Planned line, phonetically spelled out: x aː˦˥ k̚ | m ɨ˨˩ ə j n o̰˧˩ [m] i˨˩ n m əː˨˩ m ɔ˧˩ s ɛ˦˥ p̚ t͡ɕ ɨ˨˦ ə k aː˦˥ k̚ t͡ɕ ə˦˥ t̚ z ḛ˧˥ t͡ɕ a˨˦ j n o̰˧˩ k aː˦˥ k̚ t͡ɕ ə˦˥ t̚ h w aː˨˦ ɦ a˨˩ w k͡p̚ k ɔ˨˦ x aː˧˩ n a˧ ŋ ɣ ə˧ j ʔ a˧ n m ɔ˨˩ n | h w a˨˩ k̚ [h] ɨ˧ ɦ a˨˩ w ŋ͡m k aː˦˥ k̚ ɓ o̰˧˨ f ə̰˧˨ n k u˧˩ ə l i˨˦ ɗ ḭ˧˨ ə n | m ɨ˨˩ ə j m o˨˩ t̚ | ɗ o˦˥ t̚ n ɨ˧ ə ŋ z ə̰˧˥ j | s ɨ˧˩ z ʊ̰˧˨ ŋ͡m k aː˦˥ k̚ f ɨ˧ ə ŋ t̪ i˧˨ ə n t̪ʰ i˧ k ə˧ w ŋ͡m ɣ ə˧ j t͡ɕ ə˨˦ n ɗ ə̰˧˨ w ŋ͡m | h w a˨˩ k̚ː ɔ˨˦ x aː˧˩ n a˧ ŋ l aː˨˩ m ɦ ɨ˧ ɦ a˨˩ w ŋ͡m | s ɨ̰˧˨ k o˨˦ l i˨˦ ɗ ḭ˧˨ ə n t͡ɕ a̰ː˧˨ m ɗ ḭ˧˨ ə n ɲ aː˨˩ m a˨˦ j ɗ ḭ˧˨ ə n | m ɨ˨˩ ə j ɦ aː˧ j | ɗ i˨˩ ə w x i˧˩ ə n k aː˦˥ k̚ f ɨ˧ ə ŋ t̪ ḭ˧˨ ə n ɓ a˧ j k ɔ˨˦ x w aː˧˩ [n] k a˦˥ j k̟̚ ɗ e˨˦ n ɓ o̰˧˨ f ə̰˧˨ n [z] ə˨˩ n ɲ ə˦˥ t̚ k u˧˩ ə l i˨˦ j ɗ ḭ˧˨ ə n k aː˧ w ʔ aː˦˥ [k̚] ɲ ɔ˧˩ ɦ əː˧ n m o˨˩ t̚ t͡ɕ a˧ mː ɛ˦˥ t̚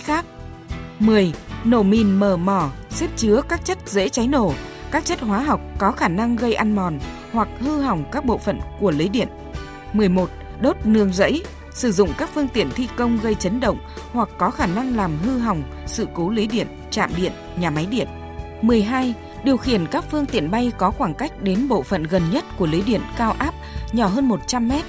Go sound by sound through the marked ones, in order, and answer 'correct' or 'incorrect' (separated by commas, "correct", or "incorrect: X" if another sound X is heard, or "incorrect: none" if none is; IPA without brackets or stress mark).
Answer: correct, correct, incorrect: ŋ, incorrect: ɣ, incorrect: p̚